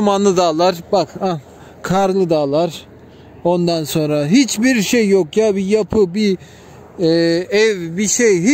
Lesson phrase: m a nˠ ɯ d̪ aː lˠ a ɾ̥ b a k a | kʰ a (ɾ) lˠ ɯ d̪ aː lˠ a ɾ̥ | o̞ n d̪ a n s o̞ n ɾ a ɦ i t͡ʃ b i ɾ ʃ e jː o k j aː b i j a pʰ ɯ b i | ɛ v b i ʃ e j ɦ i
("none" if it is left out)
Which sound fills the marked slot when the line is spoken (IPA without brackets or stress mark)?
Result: ɾ